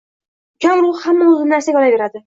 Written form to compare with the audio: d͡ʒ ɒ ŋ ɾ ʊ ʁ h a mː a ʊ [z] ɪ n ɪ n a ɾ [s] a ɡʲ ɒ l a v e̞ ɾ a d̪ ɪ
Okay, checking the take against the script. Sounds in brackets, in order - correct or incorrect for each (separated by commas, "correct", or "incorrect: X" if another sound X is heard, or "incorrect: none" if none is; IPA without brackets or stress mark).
correct, correct